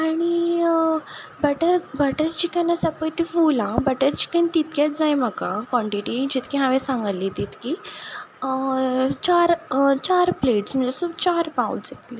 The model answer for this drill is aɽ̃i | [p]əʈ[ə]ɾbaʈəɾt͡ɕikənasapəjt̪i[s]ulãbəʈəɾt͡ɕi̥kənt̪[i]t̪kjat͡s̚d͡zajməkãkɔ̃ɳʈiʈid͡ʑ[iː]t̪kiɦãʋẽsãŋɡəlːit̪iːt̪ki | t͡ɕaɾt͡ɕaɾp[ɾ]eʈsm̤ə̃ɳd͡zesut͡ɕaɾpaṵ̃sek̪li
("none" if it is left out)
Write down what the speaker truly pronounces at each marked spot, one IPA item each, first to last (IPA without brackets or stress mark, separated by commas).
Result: b, ə, f, i, i, l